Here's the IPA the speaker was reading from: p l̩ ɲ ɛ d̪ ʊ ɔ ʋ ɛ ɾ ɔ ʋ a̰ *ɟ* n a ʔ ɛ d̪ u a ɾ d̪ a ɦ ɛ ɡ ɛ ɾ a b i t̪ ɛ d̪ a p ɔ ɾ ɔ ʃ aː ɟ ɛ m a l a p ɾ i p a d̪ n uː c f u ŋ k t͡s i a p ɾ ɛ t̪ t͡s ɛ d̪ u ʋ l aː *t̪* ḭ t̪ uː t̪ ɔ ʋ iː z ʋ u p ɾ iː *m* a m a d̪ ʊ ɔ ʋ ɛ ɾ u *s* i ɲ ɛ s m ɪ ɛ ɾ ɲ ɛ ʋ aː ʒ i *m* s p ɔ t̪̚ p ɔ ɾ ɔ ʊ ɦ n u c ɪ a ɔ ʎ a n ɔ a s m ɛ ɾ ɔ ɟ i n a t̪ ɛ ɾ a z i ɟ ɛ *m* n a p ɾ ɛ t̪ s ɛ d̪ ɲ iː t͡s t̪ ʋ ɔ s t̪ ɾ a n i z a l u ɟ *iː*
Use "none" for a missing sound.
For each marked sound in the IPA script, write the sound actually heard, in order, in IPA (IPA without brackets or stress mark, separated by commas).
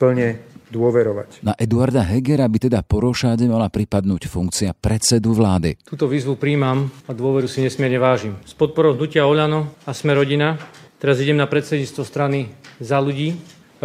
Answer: c, d̪, m, s, m, m, iː